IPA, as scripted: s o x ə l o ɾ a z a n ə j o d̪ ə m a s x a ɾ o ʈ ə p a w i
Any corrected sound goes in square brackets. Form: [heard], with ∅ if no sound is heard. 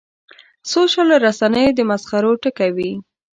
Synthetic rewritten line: s o [ʃ] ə l o ɾ a [s] a n ə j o d̪ ə m a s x a ɾ o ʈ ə [k] a w i